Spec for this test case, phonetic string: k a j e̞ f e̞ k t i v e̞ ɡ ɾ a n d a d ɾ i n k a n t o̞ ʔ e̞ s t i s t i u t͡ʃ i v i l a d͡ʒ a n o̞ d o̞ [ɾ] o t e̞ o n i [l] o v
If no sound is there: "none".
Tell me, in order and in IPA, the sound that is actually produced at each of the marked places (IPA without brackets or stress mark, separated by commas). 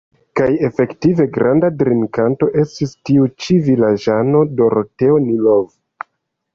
ɾ, l